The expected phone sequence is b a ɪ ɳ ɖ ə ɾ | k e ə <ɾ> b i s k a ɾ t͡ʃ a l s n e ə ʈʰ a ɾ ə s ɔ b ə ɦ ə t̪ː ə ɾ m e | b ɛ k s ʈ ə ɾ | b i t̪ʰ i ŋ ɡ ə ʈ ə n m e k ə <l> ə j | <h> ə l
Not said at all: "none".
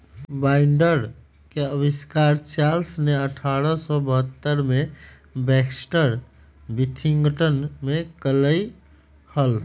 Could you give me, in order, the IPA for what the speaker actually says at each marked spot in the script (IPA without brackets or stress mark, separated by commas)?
none, l, h